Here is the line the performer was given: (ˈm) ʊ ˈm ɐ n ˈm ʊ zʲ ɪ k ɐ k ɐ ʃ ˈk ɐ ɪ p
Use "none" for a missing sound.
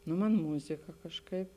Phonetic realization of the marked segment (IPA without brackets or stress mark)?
n